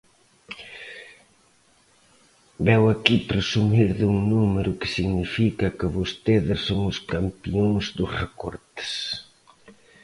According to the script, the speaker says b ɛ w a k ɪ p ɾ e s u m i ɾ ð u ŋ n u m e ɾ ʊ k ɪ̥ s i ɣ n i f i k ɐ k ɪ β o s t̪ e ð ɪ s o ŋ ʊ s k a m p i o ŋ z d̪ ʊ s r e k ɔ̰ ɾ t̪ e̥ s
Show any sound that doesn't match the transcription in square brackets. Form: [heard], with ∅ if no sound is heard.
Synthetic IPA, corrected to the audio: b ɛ w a k [i] p ɾ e s u m i ɾ ð u ŋ n u m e ɾ ʊ k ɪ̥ s i ɣ n i f i k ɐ k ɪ β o s t̪ e ð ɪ s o ŋ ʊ s k a m p i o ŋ z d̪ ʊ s r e k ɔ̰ ɾ t̪ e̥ s